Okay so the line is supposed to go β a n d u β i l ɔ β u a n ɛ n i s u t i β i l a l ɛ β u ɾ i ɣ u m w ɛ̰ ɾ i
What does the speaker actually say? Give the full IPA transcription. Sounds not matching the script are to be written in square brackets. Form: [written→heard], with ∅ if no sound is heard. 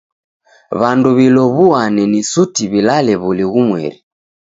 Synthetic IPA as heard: β a n d u β i l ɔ β u a n ɛ n i s u t i β i l a l ɛ β u [ɾ→l] i ɣ u m w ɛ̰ ɾ i